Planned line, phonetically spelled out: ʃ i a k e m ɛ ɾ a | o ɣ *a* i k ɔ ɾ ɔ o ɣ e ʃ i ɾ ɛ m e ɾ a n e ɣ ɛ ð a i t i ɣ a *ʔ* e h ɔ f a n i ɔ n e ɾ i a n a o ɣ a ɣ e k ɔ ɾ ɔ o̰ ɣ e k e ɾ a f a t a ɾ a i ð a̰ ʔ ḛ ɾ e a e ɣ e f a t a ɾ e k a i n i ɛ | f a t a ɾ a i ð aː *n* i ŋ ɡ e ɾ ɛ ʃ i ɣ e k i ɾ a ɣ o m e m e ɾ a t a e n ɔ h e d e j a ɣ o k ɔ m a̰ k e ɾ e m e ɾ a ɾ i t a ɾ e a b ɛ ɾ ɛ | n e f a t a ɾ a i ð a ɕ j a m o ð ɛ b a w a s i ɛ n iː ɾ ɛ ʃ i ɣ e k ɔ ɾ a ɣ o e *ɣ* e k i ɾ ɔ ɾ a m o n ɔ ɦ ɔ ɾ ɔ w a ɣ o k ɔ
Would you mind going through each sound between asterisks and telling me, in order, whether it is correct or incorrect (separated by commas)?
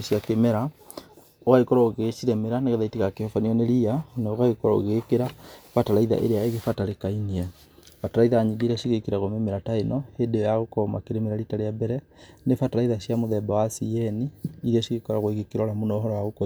correct, incorrect, incorrect, correct